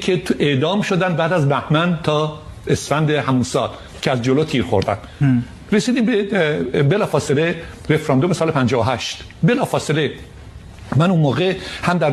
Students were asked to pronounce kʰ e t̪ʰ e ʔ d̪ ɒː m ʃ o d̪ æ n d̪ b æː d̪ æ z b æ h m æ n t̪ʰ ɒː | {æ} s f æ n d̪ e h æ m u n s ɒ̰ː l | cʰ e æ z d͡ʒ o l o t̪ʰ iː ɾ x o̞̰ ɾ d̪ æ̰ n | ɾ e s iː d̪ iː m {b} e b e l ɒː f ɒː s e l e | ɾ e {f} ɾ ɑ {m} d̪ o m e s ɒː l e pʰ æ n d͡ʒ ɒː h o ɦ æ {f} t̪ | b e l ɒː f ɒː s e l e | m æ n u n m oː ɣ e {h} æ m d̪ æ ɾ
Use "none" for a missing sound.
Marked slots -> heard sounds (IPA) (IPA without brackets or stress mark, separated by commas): e, b, f, n, ʃ, h